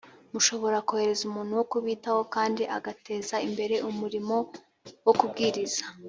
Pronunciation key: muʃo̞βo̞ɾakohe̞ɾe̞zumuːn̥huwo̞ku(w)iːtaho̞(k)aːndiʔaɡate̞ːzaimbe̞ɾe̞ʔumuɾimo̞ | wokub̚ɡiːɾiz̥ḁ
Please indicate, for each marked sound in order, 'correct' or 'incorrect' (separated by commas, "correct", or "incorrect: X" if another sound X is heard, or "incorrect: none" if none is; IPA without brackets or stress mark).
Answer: incorrect: β, correct